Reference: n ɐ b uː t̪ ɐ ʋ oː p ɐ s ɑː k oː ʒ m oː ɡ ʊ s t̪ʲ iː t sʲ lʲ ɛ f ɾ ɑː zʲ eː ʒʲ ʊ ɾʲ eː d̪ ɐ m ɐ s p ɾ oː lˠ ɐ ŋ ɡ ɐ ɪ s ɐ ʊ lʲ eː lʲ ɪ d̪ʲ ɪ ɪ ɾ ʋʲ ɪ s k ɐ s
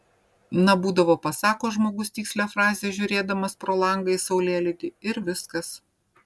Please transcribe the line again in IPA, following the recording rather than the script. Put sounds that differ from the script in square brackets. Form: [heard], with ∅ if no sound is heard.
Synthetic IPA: n ɐ b uː [d̪] ɐ ʋ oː p ɐ s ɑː k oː ʒ m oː ɡ ʊ s t̪ʲ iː [k] sʲ lʲ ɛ f ɾ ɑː zʲ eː ʒʲ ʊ ɾʲ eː d̪ ɐ m ɐ s p ɾ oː lˠ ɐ ŋ ɡ ɐ ɪ s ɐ ʊ lʲ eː lʲ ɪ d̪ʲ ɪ ɪ ɾ ʋʲ ɪ s k ɐ s

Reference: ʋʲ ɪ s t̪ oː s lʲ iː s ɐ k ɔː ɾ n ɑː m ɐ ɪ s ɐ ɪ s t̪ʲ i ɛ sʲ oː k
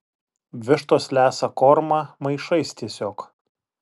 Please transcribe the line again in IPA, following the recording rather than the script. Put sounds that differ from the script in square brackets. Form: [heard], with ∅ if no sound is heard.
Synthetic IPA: ʋʲ ɪ [ʃ] t̪ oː s lʲ [æː] s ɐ k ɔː ɾ [m] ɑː m ɐ ɪ [ʃ] ɐ ɪ s t̪ʲ i ɛ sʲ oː k

